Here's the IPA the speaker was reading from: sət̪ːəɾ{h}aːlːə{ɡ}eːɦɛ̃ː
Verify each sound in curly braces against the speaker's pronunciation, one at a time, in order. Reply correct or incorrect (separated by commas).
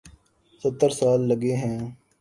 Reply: incorrect, correct